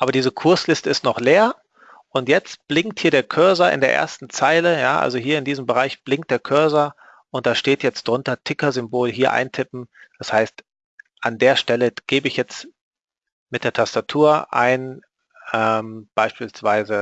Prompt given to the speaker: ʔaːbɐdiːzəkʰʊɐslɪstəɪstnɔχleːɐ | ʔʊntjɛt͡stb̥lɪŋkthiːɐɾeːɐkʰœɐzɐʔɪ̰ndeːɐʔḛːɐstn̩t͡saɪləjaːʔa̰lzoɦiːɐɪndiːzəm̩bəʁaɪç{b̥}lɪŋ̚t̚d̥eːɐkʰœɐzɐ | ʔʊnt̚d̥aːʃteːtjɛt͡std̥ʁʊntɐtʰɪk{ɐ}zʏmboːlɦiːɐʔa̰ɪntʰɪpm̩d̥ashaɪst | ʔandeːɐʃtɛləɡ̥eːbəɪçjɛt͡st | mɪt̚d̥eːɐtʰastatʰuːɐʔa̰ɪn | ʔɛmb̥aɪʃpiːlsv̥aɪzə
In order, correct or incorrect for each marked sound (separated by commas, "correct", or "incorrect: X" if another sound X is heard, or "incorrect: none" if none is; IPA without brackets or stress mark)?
correct, correct